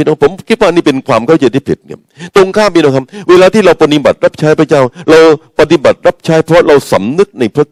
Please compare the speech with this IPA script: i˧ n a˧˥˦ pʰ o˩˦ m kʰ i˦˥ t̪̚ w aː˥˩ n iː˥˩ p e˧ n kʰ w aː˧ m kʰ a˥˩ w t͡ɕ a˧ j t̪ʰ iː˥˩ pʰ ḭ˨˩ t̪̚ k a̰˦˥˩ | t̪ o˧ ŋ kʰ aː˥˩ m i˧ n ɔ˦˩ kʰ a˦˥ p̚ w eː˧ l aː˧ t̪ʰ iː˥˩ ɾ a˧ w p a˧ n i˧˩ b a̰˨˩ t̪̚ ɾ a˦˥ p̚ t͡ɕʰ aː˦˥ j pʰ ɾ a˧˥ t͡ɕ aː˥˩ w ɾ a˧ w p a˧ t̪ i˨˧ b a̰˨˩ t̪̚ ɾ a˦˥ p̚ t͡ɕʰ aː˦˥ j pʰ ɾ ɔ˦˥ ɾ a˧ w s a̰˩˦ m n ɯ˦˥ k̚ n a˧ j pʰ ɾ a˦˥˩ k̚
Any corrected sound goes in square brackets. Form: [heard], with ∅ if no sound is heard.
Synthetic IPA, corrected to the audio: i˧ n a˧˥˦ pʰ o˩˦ m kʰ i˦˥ t̪̚ w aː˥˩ n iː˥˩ p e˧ n kʰ w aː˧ m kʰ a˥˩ w t͡ɕ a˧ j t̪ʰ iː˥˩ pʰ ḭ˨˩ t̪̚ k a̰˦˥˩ | t̪ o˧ ŋ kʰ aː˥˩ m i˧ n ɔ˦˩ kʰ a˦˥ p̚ w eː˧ l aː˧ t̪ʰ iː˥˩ ɾ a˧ w p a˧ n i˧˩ b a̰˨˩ t̪̚ ɾ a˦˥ p̚ t͡ɕʰ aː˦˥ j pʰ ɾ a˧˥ t͡ɕ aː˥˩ w ɾ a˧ w p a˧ t̪ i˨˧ b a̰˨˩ t̪̚ ɾ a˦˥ p̚ t͡ɕʰ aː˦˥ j pʰ ɾ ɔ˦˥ ɾ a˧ w s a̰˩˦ m n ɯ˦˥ k̚ n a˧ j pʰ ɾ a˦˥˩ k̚